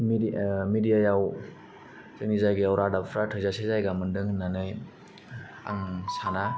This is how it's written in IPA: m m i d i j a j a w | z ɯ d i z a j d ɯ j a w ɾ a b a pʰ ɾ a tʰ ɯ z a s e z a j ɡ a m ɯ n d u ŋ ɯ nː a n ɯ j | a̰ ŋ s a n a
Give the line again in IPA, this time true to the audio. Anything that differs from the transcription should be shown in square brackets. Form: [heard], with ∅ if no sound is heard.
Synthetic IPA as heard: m m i d i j a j a w | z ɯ [n] i z a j [ɡ] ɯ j a w ɾ a [d] a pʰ ɾ a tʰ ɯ z a s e z a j ɡ a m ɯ n d [ɯ] ŋ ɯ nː a n ɯ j | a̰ ŋ s a n a